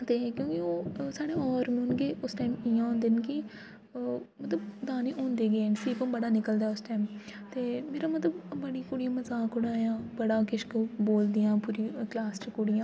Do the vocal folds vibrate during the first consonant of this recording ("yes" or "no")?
no